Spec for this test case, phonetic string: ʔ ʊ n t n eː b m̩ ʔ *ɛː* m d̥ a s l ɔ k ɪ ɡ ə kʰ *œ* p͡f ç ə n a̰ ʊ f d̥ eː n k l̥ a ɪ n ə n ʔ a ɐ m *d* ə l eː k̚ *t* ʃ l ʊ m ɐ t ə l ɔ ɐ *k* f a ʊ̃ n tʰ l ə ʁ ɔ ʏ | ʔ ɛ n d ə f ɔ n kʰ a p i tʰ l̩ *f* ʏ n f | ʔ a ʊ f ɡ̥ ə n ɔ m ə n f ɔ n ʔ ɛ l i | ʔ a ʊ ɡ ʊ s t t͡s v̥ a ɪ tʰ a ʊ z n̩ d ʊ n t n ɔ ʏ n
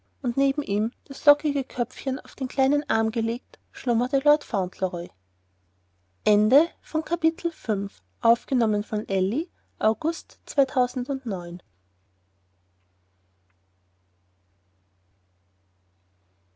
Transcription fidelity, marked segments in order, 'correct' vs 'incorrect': incorrect, correct, incorrect, correct, incorrect, correct

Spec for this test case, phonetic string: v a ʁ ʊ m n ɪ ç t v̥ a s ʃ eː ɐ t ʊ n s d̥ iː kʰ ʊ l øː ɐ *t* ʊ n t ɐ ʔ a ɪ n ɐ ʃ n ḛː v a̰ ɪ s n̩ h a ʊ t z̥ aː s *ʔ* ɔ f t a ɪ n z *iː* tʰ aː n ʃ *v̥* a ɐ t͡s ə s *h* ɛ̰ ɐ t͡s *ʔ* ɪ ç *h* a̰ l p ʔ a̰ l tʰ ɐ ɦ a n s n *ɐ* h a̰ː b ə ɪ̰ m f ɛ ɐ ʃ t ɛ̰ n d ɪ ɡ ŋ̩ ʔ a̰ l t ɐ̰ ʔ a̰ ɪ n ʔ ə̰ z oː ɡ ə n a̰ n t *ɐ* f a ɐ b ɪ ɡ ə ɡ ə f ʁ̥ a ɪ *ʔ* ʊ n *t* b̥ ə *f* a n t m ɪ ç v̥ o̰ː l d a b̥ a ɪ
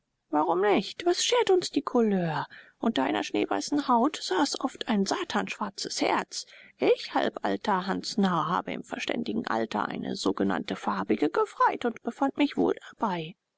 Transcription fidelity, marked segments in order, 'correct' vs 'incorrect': incorrect, correct, incorrect, correct, correct, correct, correct, incorrect, incorrect, incorrect, correct, correct

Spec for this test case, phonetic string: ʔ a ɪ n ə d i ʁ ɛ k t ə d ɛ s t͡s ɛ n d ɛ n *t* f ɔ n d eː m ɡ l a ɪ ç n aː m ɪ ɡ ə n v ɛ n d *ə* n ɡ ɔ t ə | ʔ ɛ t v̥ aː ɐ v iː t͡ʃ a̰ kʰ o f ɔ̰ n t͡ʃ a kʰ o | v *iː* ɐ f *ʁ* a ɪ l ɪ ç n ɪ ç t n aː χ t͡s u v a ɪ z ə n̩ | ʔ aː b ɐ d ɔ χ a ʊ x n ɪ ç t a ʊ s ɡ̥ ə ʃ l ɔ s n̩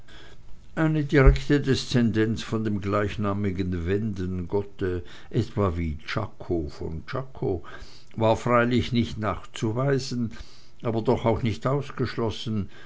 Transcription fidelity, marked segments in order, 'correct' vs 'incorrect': incorrect, correct, incorrect, correct

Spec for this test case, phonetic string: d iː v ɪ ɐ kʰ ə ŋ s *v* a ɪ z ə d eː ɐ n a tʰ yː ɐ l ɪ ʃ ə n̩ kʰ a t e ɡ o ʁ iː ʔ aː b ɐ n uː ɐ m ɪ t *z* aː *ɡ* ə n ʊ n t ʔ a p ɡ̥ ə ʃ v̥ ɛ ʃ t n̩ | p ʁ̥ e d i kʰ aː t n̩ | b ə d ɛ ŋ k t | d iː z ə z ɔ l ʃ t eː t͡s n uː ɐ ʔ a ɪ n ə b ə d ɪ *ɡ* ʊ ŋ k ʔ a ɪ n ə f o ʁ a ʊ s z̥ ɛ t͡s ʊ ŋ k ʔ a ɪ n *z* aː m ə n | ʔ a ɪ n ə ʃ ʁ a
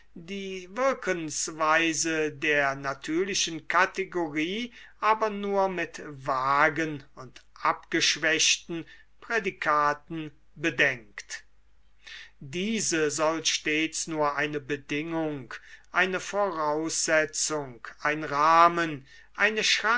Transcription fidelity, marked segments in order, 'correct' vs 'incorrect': correct, incorrect, correct, incorrect, incorrect

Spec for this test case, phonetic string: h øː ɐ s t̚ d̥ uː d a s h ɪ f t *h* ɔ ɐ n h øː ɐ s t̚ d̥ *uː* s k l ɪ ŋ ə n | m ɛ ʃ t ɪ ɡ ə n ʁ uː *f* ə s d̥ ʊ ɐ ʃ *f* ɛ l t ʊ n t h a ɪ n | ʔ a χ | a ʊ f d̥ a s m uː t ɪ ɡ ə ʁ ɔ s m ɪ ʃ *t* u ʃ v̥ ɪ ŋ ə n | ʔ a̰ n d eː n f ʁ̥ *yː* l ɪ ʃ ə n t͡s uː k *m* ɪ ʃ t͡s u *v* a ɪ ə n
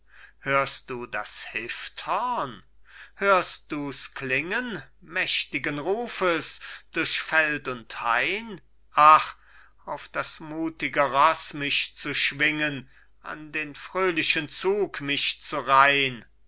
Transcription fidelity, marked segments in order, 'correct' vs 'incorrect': correct, correct, correct, correct, incorrect, incorrect, correct, incorrect

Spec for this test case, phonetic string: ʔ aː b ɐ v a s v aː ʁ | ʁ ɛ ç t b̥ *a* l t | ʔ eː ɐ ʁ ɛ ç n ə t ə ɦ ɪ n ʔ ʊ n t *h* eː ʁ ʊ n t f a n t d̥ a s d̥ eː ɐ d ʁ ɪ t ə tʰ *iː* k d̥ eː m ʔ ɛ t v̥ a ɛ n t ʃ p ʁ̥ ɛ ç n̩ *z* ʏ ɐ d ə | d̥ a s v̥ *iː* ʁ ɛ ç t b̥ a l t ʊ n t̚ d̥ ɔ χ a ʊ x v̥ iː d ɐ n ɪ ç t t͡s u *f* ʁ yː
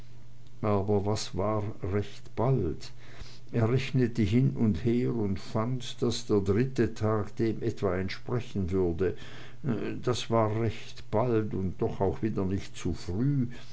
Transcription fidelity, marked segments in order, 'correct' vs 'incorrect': correct, correct, incorrect, incorrect, incorrect, correct

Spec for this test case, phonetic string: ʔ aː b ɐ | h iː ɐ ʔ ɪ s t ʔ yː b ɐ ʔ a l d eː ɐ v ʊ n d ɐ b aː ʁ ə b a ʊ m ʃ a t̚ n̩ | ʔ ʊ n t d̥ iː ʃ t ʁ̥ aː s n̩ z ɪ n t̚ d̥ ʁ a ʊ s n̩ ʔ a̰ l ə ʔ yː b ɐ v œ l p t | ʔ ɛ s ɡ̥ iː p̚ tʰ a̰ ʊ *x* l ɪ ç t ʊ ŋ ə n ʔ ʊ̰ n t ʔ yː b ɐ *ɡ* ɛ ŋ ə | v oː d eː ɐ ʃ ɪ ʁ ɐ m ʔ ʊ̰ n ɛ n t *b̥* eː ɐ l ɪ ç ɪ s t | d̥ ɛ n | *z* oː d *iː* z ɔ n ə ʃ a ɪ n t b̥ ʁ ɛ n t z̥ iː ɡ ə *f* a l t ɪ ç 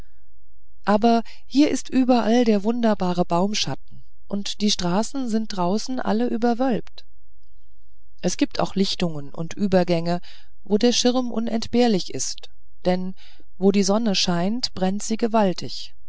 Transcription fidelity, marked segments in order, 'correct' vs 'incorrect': correct, correct, correct, incorrect, correct, incorrect

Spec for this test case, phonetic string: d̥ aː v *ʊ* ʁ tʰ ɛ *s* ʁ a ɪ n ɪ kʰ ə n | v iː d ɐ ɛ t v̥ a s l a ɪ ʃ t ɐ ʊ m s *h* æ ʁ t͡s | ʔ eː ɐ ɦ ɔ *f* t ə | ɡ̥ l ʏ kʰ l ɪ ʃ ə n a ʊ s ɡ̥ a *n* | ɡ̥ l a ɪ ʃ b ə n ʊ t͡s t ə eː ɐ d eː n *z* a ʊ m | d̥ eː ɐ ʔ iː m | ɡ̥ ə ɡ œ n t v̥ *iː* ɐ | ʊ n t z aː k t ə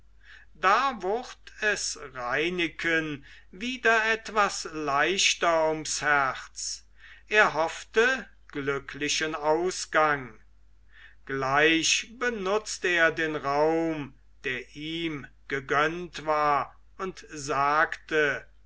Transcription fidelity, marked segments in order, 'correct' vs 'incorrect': correct, correct, correct, correct, incorrect, incorrect, incorrect

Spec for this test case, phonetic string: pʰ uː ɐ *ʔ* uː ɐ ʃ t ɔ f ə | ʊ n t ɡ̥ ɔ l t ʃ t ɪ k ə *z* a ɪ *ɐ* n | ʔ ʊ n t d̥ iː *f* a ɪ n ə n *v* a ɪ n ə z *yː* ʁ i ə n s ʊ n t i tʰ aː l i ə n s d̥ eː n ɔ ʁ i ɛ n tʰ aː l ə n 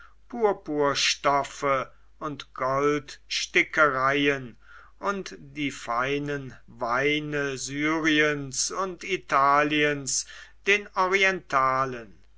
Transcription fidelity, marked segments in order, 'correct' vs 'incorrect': incorrect, incorrect, incorrect, correct, correct, correct

